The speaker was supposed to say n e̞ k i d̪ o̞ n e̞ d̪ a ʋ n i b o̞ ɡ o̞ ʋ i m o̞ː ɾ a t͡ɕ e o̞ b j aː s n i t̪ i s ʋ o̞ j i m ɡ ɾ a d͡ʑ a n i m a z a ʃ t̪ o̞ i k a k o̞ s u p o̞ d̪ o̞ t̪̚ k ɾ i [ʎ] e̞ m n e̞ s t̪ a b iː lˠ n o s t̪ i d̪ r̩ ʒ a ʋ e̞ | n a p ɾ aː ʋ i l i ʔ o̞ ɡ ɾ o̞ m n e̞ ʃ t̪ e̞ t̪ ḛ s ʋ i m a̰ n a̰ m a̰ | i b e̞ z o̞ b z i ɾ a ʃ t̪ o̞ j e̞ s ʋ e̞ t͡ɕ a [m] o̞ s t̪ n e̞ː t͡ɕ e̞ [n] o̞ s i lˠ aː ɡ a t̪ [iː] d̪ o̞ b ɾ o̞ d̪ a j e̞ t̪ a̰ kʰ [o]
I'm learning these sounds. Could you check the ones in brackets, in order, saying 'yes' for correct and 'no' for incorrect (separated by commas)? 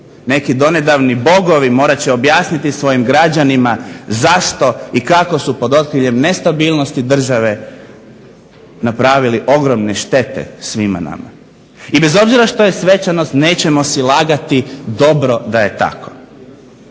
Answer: yes, no, no, no, yes